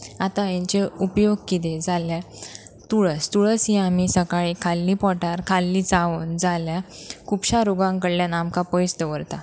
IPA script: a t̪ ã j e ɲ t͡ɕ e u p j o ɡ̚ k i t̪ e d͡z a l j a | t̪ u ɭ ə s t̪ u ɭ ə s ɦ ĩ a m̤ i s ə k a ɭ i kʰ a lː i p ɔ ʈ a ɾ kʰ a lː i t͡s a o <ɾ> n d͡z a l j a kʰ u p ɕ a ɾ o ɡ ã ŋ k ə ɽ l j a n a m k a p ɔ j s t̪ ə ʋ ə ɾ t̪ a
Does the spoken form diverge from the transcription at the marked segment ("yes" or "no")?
yes